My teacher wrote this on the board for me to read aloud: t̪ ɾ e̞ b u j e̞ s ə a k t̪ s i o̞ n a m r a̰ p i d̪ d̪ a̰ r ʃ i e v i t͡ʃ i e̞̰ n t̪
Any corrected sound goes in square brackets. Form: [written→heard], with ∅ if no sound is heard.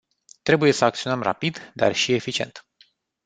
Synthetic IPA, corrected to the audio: t̪ ɾ e̞ b u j e̞ s ə a k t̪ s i o̞ n [a→ə] m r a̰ p i d̪ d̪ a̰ r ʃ i e [v→f] i t͡ʃ i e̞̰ n t̪